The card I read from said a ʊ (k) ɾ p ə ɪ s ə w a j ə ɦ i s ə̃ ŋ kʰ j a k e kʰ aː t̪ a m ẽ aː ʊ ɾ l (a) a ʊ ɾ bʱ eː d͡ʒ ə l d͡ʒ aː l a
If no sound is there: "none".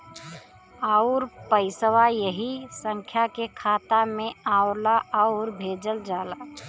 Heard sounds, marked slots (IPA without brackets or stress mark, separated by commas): none, a